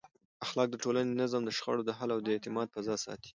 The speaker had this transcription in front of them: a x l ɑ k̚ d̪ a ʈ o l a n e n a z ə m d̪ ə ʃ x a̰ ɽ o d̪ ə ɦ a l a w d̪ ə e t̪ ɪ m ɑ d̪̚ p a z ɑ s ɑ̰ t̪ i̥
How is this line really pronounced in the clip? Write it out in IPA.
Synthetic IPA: a x l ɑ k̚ d̪ ə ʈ o l a n e n a z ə m d̪ ə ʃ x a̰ ɽ o d̪ ə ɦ a l a w d̪ ə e t̪ ɪ m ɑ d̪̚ p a z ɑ s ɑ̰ t̪ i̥